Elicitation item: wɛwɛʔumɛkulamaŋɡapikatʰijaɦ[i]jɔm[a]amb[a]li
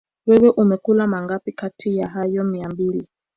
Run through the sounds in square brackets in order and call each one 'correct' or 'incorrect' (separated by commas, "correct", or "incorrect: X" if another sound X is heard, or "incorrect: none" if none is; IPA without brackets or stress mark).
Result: incorrect: a, incorrect: i, incorrect: i